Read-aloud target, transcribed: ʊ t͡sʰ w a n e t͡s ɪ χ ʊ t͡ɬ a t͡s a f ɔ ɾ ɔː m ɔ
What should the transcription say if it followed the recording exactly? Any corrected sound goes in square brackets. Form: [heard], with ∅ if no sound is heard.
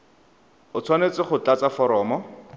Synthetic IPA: ʊ t͡sʰ w a n e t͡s ɪ χ ʊ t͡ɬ a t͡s a f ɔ ɾ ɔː m ɔ